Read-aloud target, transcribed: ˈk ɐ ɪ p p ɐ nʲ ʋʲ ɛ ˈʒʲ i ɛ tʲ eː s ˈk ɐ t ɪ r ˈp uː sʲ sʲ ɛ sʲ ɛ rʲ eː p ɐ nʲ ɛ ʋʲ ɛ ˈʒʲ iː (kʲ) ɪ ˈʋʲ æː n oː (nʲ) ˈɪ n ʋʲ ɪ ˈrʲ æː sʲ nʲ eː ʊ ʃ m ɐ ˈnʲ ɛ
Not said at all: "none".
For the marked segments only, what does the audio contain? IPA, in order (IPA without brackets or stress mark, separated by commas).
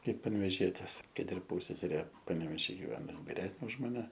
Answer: ɡʲ, none